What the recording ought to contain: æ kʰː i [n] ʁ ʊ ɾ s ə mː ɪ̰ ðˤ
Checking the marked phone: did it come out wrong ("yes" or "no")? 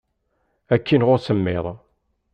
no